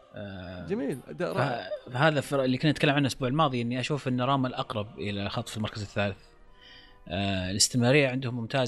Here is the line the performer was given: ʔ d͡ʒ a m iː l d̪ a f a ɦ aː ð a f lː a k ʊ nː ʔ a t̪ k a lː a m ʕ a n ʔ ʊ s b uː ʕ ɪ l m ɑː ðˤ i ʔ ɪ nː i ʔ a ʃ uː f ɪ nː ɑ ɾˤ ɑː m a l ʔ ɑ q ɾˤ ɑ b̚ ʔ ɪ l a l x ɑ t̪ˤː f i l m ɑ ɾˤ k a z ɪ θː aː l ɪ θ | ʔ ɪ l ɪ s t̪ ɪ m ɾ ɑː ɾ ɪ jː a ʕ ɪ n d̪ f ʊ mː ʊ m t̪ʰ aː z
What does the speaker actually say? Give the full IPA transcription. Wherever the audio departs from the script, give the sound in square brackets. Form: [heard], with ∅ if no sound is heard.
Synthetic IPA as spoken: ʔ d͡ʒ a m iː l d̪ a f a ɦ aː ð a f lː [i] k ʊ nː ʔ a t̪ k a lː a m ʕ a n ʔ ʊ s b uː ʕ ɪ l m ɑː ðˤ i ʔ ɪ nː i ʔ a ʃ uː f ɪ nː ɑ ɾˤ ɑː m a l ʔ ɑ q ɾˤ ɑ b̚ ʔ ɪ l a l x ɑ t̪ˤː f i l m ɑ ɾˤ k a z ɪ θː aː l ɪ θ | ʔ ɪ l ɪ s t̪ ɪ m ɾ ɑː ɾ ɪ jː a ʕ ɪ n d̪ [h] ʊ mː ʊ m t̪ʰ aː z